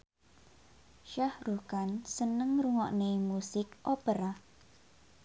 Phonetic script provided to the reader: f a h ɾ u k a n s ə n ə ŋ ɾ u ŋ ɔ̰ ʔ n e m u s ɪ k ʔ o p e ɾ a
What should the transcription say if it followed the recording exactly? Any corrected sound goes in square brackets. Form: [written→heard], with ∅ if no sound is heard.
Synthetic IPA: [f→ʃ] a h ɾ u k a n s ə n ə ŋ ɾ u ŋ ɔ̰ ʔ n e m u s ɪ k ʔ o p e ɾ a